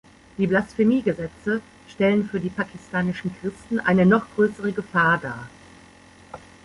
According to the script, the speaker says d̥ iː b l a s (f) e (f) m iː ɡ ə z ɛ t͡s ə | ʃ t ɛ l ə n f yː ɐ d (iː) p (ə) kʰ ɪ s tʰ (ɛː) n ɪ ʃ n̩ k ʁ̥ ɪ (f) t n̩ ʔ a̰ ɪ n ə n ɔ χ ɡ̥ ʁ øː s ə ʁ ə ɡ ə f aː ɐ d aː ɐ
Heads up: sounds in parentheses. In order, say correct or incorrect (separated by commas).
correct, incorrect, correct, incorrect, incorrect, incorrect